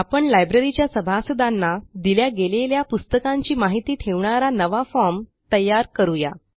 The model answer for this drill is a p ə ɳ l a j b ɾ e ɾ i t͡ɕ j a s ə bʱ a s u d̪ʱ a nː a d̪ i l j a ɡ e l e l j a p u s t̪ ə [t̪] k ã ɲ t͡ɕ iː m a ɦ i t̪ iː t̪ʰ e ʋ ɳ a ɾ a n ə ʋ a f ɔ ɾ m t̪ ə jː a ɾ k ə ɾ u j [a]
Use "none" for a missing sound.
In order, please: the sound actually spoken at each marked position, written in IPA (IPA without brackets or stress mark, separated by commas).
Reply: none, a